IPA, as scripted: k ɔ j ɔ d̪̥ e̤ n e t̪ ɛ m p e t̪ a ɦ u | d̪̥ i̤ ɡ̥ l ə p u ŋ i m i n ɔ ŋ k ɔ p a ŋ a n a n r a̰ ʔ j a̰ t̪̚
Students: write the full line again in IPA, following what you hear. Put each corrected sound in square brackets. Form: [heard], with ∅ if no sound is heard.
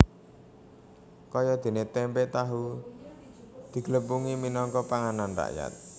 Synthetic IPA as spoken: k ɔ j ɔ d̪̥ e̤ n e t̪ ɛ m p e t̪ a ɦ u | d̪̥ i̤ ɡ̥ l ə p u ŋ i m i n ɔ ŋ k ɔ p a ŋ a n a n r a̰ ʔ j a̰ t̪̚